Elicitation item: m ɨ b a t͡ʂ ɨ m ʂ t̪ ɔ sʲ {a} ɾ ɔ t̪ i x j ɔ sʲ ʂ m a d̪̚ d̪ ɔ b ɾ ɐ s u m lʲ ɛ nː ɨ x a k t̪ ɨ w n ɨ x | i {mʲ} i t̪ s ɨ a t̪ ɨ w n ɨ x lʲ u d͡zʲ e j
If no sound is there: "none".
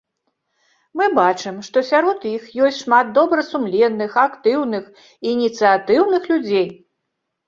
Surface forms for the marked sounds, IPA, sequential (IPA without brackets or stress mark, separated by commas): a, nʲ